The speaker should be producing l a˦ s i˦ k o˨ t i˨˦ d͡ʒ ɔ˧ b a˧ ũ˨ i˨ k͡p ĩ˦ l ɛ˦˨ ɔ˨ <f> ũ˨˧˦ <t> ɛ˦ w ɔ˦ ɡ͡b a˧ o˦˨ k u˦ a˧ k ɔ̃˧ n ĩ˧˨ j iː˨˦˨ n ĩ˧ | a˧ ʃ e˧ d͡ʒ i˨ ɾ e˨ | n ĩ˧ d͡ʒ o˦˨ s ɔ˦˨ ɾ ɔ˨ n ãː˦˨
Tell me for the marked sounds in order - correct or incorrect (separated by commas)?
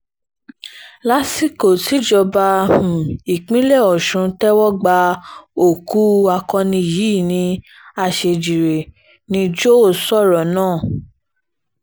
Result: incorrect, correct